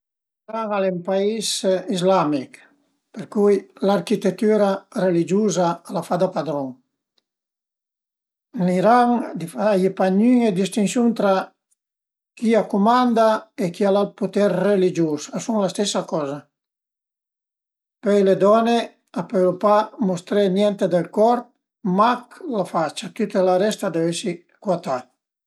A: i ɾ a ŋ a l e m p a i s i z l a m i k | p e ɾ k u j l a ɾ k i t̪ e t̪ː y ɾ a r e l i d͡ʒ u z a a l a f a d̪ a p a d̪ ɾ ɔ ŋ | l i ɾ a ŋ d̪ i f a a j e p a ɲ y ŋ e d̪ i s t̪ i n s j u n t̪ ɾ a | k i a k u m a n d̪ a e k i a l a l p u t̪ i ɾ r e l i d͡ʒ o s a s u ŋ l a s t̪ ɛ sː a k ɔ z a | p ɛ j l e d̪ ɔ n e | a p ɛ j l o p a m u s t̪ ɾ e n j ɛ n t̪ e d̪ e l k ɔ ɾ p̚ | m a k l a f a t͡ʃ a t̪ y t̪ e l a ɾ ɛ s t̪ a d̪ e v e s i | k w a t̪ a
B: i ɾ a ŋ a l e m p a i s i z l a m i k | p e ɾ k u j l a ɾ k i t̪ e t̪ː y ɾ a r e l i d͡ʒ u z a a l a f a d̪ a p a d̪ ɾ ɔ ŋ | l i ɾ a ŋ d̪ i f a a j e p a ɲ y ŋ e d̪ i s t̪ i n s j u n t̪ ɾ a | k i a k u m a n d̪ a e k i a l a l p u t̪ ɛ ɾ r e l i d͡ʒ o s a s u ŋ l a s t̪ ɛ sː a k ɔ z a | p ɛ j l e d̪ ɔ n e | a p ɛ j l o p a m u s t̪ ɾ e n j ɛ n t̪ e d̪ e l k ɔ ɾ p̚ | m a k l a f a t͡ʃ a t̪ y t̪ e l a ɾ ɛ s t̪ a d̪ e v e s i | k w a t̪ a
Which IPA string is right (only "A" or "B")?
B